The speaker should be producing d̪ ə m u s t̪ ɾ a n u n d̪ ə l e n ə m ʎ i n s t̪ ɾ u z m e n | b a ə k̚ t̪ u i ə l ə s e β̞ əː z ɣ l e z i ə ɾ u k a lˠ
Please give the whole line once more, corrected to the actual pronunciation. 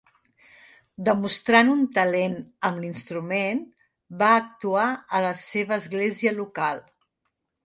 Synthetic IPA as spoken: d̪ ə m u s t̪ ɾ a n u n t̪ ə l e n ə m l i n s t̪ ɾ u m e n | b a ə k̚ t̪ u a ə l ə s e β̞ əː z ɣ l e z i ə l u k a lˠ

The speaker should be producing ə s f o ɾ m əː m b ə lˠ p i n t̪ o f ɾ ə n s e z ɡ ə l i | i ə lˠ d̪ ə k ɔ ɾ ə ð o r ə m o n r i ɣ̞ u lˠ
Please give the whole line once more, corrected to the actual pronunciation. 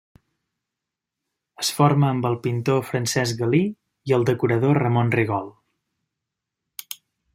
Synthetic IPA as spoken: ə s f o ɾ m əː m b ə lˠ p i n t̪ o f ɾ ə n s ɛ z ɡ ə l i | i ə lˠ d̪ ə k u ɾ ə ð o r ə m o n r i ɣ̞ ɔ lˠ

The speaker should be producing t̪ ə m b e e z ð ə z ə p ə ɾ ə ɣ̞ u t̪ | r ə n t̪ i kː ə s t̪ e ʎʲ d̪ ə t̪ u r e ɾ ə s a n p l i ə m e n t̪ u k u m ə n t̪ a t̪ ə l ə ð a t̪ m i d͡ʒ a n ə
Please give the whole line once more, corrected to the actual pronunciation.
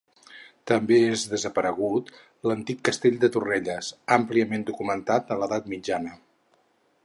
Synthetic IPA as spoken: t̪ ə m b e e z ð ə z ə p ə ɾ ə ɣ̞ u t̪ | l ə n t̪ i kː ə s t̪ e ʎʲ d̪ ə t̪ u r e ʎ ə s a m p l i ə m e n d̪ u k u m ə n t̪ a t̪ ə l ə ð a t̪ m i d͡ʒ a n ə

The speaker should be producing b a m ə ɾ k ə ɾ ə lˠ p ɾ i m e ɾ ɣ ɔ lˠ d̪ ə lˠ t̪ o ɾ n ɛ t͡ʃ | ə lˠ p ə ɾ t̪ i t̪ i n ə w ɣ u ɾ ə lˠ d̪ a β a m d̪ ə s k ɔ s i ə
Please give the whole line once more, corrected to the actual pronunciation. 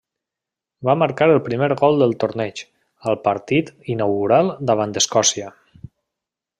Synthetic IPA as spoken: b a m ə ɾ k a ɾ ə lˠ p ɾ i m e ɾ ɣ ɔ lˠ d̪ ə lˠ t̪ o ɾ n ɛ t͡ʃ | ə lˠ p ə ɾ t̪ i t̪ i n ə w ɣ u ɾ a lˠ d̪ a β a n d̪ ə s k ɔ s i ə

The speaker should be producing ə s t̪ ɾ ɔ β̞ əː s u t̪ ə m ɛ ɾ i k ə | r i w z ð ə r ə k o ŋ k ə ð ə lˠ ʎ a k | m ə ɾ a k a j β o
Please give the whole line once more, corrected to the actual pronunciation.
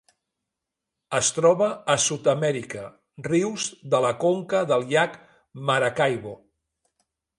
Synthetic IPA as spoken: ə s t̪ ɾ ɔ β̞ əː s u t̪ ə m ɛ ɾ i k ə | r i w z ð ə l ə k o ŋ k ə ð ə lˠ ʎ a k | m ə ɾ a k a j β o

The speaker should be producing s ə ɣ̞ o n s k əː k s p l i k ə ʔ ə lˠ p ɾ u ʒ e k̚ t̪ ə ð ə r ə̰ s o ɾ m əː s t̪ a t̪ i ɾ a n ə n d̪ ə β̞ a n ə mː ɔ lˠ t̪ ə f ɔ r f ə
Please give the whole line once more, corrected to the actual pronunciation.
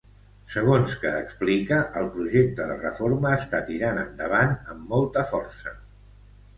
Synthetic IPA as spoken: s ə ɣ̞ o n s k əː k s p l i k ə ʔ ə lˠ p ɾ u ʒ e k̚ t̪ ə ð ə r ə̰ f o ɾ m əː s t̪ a t̪ i ɾ a n ə n d̪ ə β̞ a n ə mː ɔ lˠ t̪ ə f ɔ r s ə

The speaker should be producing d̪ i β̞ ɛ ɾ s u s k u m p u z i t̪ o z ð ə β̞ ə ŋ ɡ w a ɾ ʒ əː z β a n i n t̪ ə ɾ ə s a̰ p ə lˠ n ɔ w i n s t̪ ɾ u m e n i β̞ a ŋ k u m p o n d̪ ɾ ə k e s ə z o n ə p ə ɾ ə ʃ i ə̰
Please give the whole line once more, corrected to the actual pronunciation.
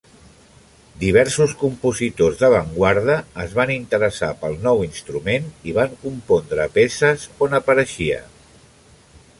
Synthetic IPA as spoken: d̪ i β̞ ɛ ɾ s u s k u m p u z i t̪ o z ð ə β̞ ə ŋ ɡ w a ɾ ð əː z β a n i n t̪ ə ɾ ə s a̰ p ə lˠ n ɔ w i n s t̪ ɾ u m e n i β̞ a ŋ k u m p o n d̪ ɾ ə p e s ə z o n ə p ə ɾ ə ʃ i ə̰

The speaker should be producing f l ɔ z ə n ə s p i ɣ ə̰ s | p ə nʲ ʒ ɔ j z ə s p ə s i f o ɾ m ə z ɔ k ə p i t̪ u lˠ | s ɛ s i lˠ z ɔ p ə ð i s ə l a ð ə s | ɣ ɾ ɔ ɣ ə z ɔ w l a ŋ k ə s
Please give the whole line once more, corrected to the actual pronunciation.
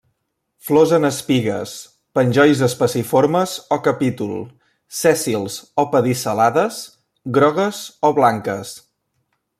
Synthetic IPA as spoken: f l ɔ z ə n ə s p i ɣ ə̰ s | p ə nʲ ʒ ɔ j z ə s p ə s i f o ɾ m ə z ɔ k ə p i t̪ u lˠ | s ɛ s i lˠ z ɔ p ə ð i s ə l a ð ə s | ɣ ɾ ɔ ɣ ə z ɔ β l a ŋ k ə s

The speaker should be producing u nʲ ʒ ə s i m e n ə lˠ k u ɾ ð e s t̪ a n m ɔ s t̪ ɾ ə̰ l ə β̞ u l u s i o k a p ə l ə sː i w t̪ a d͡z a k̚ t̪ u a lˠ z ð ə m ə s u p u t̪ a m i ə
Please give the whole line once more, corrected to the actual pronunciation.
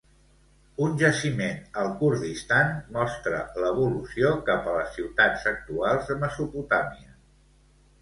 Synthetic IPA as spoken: u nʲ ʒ ə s i m e n ə lˠ k u ɾ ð i s t̪ a n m ɔ s t̪ ɾ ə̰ l ə β̞ u l u s i o k a p ə l ə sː i w t̪ a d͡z ə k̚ t̪ u a lˠ z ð ə m ə s u p u t̪ a m i ə

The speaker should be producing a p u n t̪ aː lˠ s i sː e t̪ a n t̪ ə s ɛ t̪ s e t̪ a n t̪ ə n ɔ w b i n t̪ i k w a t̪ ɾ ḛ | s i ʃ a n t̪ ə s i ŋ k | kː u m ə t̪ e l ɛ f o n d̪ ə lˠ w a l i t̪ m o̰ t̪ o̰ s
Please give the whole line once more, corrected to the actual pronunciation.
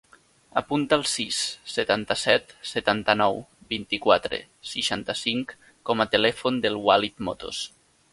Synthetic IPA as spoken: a p u n t̪ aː lˠ s i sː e t̪ a n t̪ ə s ɛ t̪ s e t̪ a n t̪ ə n ɔ w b i n t̪ i k w a t̪ ɾ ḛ | s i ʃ a n t̪ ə s i ŋ k | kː ɔ m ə t̪ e l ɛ f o n d̪ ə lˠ w a l i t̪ m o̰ t̪ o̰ s

